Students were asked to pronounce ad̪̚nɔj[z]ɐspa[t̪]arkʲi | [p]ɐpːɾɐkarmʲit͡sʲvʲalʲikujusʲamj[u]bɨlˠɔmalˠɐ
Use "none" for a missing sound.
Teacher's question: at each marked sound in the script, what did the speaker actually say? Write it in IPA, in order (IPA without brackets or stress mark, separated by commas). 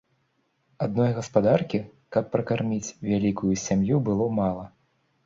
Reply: ɣ, d̪, k, u